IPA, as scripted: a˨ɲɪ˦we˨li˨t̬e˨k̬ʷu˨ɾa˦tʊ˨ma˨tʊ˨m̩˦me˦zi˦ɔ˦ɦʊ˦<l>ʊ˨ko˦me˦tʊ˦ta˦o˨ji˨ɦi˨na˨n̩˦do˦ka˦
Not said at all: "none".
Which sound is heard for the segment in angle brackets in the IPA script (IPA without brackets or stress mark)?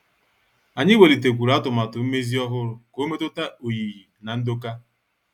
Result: ɾ